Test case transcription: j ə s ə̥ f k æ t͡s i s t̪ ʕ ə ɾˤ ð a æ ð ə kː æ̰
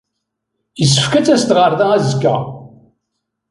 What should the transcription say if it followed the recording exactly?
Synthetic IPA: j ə s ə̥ f k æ t͡s æ s t̪ ʁ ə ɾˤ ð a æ z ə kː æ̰

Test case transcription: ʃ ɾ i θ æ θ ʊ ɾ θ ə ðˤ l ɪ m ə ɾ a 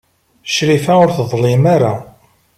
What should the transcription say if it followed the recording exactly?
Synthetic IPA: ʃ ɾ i f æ ʊ ɾ θ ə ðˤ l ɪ m a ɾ a

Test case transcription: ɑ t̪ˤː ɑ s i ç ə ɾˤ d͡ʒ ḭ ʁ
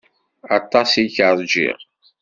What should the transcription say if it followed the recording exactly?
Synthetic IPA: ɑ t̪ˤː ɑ s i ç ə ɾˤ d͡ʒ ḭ ʁ

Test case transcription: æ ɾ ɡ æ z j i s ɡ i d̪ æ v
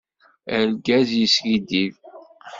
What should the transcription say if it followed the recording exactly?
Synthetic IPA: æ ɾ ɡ æ z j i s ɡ i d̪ i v

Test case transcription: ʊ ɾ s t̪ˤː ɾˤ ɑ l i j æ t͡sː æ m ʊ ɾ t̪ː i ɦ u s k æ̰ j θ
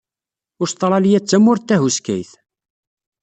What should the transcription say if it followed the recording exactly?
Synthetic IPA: ʊ ɾ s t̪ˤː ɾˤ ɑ l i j æ t͡sː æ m ʊ ɾ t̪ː æ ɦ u s k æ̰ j θ

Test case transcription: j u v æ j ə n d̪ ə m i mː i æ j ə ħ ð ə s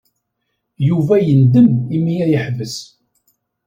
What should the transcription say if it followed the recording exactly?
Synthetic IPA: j u v æ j ə n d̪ ə m i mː i æ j ə ħ v ə s

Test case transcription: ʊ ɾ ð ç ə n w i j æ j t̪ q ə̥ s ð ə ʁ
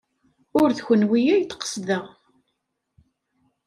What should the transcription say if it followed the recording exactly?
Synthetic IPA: ʊ ɾ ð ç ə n w i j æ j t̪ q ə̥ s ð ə ʁ

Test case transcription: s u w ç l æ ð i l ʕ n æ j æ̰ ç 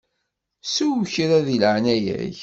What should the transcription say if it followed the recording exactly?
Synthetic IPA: s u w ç ɾ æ ð i l ʕ n æ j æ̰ ç

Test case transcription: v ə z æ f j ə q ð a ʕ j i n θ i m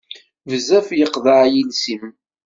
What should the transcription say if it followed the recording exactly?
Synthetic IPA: v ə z æ f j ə q ð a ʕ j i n s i m

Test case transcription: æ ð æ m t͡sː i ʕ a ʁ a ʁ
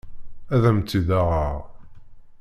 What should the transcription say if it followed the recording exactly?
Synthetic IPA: æ ð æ m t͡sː i ð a ʁ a ʁ

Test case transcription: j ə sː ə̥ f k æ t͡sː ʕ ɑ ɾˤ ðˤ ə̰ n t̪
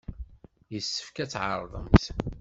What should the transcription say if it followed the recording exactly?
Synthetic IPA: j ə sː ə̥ f k æ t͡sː ʕ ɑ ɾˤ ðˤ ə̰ m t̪

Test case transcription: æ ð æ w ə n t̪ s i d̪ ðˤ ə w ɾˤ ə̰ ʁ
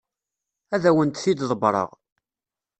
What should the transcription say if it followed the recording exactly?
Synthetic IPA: æ ð æ w ə n t̪ θ i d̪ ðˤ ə b ɾˤ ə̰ ʁ

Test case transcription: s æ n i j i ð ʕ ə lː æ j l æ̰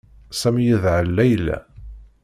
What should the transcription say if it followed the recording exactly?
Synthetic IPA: s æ m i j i ð ʕ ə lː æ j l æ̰

